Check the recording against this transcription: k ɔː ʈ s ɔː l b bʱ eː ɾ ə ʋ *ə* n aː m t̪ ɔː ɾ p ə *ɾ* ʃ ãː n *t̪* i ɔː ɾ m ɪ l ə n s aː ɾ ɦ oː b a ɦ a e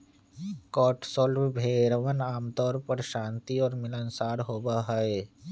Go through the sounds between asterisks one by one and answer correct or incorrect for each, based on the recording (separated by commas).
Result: correct, correct, correct